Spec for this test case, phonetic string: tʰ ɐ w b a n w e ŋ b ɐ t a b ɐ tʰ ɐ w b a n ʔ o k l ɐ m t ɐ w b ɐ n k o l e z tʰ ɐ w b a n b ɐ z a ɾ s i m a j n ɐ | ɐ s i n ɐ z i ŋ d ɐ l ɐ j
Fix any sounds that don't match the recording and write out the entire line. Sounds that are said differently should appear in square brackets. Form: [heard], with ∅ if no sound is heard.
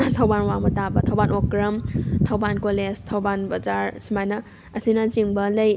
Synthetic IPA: tʰ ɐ w b a n w [a] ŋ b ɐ t a b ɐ tʰ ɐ w b a n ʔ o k [ɾ] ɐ m [tʰ] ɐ w b [a] n k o l e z tʰ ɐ w b a n b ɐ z a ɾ s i m a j n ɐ | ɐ s i n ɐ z i ŋ [b] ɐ l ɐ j